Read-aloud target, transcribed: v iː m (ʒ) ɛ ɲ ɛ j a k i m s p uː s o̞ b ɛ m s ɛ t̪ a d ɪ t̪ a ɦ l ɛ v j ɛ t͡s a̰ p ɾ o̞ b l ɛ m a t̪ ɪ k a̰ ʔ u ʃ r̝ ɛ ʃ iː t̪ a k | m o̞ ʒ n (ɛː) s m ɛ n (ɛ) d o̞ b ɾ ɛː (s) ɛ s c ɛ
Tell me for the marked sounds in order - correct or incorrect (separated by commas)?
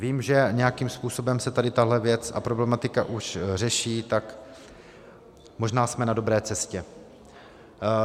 correct, incorrect, incorrect, incorrect